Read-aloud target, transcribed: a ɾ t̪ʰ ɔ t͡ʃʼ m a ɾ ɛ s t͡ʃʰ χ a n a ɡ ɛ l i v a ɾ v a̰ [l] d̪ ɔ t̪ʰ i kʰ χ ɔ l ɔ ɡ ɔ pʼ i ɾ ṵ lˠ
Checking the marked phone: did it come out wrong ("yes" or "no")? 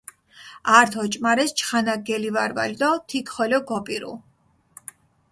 no